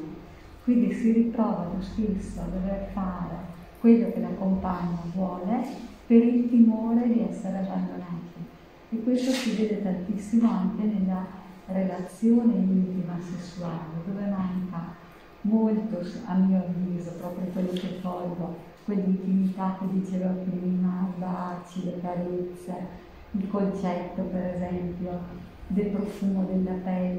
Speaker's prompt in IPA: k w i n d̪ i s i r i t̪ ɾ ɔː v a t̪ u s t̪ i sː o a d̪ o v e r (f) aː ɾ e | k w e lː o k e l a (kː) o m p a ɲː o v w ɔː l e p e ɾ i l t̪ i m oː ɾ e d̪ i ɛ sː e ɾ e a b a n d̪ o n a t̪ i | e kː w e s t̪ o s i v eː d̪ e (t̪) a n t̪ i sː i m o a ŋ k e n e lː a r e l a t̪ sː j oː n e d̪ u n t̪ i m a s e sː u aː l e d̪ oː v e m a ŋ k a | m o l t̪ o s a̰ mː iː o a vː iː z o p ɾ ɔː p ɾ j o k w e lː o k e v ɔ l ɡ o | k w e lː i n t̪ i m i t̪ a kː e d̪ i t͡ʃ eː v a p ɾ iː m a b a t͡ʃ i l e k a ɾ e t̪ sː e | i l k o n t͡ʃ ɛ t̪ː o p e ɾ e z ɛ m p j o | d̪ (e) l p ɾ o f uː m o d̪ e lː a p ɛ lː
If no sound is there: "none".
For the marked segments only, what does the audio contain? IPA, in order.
f, kː, t̪, e

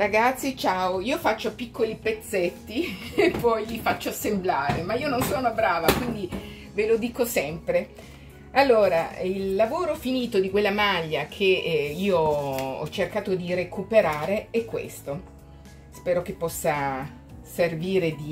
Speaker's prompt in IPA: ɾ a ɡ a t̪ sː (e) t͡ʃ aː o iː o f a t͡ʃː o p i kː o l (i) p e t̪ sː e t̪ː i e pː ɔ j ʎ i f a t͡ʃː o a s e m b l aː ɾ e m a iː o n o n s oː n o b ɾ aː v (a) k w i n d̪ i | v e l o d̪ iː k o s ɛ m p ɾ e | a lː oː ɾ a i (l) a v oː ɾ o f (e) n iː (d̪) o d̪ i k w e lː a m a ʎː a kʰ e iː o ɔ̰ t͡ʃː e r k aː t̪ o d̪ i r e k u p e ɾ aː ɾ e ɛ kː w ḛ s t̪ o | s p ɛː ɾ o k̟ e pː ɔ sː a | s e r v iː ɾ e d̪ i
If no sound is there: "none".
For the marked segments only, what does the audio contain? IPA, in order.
i, i, a, lː, i, t̪

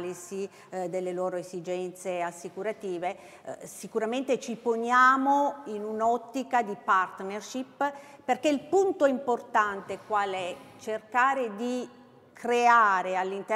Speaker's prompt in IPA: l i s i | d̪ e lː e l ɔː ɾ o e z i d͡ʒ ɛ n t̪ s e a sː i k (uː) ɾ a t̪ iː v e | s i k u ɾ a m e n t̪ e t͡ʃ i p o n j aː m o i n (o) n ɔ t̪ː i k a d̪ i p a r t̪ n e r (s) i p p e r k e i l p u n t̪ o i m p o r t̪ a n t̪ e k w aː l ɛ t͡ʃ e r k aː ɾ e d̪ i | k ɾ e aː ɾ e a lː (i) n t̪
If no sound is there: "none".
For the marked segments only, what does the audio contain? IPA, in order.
u, u, ʃ, i

